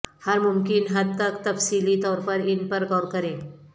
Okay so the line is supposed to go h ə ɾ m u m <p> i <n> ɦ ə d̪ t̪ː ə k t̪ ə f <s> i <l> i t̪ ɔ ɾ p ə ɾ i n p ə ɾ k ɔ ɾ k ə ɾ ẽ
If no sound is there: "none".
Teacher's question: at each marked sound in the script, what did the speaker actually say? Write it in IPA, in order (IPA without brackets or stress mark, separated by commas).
k, n, s, l